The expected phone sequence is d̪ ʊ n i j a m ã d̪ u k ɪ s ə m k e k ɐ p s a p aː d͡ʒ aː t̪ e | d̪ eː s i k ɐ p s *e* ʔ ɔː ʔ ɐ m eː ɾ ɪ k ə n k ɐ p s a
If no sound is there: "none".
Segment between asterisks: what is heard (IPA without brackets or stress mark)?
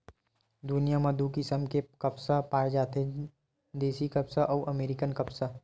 a